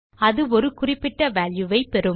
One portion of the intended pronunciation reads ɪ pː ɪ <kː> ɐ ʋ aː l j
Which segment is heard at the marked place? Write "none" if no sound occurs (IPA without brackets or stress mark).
ʈː